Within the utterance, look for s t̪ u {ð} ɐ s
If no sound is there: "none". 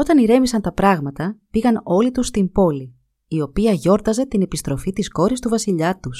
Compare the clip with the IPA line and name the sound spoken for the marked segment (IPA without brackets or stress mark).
v